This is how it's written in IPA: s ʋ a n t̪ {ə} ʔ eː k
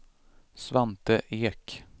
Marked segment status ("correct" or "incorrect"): correct